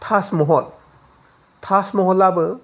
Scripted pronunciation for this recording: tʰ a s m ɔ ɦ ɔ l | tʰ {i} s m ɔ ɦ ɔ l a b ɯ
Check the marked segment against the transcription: incorrect: a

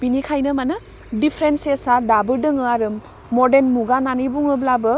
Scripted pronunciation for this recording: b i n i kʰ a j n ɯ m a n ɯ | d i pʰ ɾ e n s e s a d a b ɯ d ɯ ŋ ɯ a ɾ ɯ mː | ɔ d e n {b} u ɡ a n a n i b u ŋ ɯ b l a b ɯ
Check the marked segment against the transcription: incorrect: m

